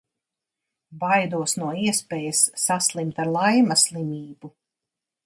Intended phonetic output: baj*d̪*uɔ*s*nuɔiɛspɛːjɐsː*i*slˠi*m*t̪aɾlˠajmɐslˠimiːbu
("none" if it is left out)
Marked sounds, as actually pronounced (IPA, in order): d̪, s, a, m

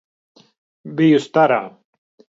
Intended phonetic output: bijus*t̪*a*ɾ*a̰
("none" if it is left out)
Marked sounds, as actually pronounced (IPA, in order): t̪, ɾ

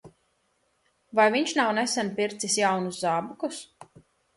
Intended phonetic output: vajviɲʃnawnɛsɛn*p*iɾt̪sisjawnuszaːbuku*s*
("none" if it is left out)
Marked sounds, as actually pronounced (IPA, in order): p, s

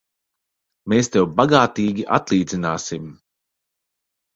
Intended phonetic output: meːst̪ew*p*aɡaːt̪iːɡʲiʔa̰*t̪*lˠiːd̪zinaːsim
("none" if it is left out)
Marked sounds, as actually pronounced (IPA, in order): b, t̪

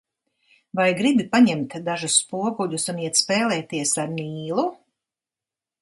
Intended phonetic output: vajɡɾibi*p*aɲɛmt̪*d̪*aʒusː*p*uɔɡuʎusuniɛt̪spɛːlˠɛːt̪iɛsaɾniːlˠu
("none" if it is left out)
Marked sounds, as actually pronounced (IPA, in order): p, d̪, p

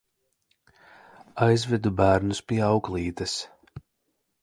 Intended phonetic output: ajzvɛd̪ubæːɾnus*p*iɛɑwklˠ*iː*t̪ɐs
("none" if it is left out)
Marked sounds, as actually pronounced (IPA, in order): p, iː

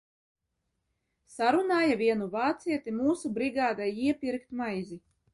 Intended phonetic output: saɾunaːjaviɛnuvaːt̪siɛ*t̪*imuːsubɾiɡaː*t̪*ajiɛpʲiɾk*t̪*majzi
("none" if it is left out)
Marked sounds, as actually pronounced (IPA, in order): t̪, d̪, t̪

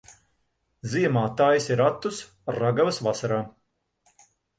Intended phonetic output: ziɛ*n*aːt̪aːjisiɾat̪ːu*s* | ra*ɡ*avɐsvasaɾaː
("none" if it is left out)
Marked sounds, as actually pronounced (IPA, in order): m, s, ɡ

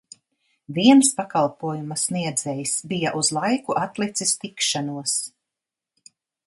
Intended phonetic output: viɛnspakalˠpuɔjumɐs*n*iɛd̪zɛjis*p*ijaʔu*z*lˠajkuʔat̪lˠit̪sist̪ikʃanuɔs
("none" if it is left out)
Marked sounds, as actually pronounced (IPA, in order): n, b, z

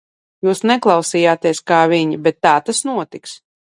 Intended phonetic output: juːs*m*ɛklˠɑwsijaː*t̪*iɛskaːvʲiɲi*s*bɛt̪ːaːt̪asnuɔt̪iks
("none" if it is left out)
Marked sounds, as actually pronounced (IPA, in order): n, t̪, none

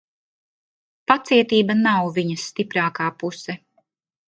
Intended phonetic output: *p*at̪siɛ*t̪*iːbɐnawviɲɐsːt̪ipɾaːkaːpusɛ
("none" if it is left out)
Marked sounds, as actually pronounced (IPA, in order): p, t̪

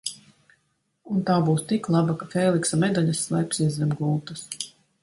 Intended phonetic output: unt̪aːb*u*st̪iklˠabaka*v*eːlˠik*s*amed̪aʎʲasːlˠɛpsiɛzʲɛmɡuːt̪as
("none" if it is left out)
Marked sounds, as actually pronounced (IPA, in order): uː, f, s

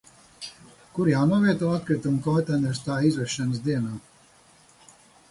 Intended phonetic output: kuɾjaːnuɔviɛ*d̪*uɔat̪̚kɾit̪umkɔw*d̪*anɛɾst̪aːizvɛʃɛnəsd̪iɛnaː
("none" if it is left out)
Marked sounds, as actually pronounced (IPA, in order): t̪, t̪

